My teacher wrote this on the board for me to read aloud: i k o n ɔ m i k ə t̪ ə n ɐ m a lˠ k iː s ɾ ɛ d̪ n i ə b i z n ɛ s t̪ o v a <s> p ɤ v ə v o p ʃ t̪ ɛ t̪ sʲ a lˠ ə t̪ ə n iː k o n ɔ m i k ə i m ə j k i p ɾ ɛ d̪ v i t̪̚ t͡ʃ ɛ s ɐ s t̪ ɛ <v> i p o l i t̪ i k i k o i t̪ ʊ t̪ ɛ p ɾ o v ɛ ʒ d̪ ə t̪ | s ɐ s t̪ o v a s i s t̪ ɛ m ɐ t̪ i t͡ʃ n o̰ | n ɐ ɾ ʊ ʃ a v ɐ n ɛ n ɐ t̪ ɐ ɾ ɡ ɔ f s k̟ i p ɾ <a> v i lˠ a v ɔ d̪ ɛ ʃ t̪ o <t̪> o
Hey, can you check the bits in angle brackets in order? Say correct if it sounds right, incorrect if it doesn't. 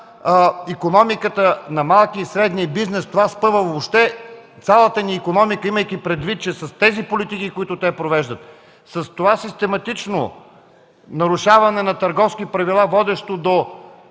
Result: correct, incorrect: z, incorrect: ɐ, incorrect: d̪

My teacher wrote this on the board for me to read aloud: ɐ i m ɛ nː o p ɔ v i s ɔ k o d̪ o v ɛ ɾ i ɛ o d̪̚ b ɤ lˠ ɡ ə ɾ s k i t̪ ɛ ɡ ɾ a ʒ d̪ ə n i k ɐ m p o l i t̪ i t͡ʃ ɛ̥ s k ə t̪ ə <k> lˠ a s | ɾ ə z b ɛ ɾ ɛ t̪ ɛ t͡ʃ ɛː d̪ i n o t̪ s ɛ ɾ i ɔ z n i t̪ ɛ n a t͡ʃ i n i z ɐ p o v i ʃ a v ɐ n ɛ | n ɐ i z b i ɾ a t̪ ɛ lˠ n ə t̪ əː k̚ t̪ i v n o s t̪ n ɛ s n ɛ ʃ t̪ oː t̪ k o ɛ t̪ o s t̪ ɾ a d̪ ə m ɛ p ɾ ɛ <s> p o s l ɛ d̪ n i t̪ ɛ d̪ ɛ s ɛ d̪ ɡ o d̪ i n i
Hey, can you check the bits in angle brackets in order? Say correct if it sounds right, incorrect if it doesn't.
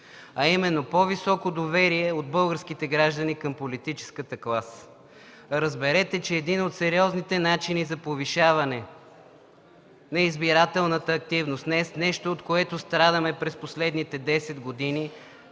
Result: correct, correct

